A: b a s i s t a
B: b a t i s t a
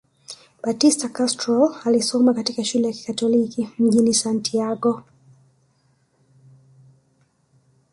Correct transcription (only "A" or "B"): B